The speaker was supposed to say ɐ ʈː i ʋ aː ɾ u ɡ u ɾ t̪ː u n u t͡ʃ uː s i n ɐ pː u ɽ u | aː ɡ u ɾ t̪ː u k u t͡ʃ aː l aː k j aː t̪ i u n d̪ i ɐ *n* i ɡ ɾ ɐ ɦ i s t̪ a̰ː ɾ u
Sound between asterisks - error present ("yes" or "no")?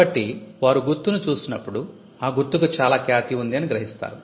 no